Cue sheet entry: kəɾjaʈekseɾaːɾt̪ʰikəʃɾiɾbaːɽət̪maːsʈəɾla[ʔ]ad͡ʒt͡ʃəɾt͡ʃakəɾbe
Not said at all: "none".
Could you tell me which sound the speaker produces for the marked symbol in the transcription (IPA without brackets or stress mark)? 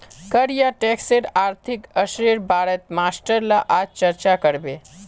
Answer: ʔ